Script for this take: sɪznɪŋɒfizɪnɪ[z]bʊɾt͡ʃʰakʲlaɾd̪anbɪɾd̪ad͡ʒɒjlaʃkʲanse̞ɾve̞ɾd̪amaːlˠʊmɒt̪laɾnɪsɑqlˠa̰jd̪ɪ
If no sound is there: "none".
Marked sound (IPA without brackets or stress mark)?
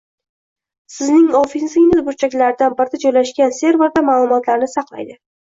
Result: z